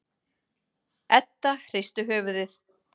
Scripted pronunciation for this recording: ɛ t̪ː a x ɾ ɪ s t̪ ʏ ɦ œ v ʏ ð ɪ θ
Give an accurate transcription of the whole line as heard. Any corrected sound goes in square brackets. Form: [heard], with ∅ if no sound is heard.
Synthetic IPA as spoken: ɛ t̪ː a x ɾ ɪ s t̪ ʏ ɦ [œː] v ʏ ð ɪ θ